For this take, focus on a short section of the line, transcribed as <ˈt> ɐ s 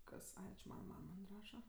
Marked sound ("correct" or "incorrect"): incorrect